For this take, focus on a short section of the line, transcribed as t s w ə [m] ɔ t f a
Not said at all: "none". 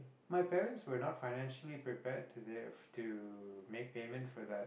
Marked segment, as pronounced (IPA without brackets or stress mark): n